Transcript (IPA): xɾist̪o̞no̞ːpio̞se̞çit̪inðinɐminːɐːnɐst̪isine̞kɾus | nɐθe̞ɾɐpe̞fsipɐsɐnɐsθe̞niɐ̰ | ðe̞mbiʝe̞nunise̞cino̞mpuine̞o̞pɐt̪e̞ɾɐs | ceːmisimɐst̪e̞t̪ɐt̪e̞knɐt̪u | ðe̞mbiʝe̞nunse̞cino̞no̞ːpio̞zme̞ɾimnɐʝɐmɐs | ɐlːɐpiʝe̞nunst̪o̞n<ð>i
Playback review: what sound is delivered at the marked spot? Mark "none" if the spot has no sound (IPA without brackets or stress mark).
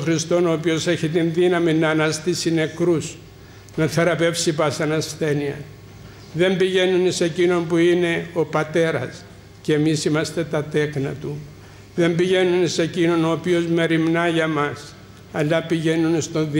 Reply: ð